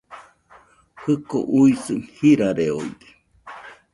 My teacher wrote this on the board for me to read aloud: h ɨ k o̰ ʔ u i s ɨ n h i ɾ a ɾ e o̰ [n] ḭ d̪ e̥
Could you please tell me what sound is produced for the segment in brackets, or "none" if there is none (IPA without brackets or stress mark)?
none